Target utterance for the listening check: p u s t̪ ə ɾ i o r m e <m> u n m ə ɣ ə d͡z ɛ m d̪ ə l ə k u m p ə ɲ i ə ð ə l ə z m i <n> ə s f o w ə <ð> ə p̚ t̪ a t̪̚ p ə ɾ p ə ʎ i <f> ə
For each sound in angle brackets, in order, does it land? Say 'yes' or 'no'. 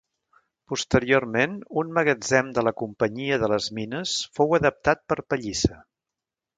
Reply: no, yes, yes, no

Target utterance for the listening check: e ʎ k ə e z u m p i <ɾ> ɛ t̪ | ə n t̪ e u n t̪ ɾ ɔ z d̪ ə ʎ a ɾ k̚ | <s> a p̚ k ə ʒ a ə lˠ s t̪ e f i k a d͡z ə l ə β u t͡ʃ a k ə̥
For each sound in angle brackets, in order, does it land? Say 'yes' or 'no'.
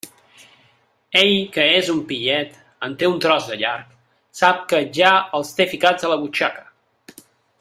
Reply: no, yes

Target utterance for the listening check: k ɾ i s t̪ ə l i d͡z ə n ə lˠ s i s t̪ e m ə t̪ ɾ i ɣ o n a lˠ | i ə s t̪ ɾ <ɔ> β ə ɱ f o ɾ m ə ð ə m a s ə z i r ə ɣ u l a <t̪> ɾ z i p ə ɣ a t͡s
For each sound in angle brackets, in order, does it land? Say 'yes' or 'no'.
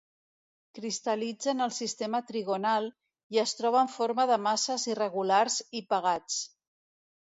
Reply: yes, no

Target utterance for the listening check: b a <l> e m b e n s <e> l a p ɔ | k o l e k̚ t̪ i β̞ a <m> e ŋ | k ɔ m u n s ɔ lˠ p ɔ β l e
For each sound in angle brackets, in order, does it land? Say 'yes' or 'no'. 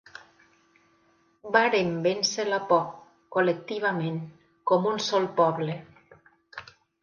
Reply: no, yes, yes

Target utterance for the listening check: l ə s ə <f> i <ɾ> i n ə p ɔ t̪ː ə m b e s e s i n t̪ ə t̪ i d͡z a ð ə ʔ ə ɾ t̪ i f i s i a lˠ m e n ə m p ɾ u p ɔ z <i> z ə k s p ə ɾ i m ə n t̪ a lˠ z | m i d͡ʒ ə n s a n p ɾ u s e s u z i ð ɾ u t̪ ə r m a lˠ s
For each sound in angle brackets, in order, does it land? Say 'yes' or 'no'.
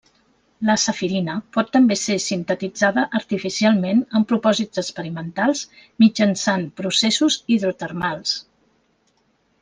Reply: yes, yes, yes

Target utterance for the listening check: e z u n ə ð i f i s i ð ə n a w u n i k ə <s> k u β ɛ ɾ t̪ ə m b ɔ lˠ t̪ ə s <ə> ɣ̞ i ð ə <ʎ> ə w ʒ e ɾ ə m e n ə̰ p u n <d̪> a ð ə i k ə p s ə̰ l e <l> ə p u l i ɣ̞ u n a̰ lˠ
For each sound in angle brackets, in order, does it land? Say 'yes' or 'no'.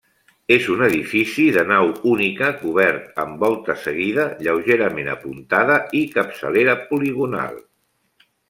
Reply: no, yes, yes, no, no

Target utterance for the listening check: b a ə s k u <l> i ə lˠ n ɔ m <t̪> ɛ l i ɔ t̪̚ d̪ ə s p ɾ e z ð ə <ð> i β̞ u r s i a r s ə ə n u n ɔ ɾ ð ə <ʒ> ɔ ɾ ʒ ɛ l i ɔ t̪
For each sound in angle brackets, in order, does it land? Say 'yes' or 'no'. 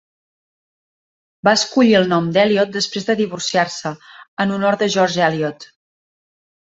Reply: no, no, yes, yes

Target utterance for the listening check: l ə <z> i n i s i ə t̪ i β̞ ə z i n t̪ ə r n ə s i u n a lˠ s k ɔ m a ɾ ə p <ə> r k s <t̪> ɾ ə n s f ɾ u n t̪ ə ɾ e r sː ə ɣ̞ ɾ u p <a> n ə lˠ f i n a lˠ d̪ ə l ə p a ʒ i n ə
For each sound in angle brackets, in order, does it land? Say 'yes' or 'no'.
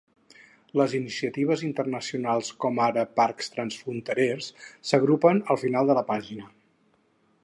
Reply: yes, no, yes, no

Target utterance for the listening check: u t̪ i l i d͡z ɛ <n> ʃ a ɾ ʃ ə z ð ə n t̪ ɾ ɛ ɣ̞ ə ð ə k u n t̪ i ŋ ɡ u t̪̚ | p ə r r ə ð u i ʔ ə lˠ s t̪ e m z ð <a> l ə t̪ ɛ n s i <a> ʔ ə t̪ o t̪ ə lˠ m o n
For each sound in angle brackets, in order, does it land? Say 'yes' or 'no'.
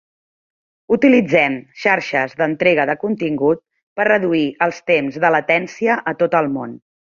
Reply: no, no, no

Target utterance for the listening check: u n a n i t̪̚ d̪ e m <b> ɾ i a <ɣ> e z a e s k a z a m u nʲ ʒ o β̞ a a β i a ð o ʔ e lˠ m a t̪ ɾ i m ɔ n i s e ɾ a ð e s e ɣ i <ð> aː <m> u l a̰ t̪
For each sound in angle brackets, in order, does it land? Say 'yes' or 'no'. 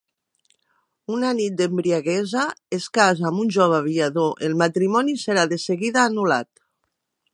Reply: yes, yes, yes, no

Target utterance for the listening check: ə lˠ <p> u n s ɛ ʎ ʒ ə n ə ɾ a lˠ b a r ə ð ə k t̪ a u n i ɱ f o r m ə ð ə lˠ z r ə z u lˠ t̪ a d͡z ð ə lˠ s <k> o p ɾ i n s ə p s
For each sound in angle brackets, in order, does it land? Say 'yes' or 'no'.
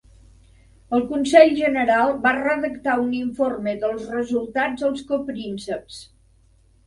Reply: no, yes

